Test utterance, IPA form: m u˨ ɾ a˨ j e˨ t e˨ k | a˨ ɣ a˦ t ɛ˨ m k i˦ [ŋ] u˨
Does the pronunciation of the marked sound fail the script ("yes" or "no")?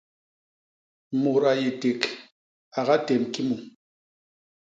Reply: yes